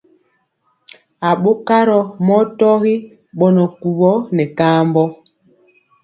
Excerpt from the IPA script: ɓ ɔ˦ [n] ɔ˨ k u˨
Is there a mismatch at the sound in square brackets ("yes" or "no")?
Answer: no